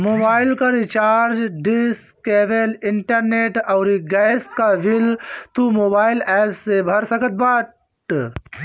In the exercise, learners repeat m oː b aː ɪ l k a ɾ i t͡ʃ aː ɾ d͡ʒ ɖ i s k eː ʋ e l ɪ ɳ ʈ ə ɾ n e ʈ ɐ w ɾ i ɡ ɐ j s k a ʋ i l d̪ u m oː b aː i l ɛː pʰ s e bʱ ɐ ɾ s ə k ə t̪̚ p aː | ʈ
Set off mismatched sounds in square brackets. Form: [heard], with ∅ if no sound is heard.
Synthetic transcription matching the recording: m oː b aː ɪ l k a ɾ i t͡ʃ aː ɾ d͡ʒ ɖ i s k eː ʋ e l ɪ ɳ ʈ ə ɾ n e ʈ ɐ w ɾ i ɡ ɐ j s k a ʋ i l [t̪] u m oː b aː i l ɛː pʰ s e bʱ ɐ ɾ s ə k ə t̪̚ [b] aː | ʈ